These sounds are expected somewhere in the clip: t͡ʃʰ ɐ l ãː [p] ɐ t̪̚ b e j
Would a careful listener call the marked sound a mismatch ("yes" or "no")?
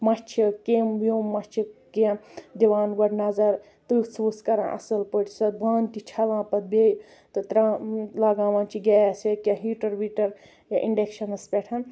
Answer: no